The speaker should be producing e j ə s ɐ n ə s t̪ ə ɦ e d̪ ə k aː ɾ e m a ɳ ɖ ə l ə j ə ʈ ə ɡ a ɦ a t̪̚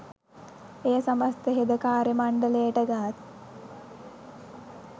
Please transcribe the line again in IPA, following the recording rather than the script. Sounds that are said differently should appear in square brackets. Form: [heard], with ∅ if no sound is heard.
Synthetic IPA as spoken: e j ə s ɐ [m] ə s t̪ ə ɦ e d̪ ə k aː ɾ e m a ɳ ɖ ə l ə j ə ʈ ə ɡ a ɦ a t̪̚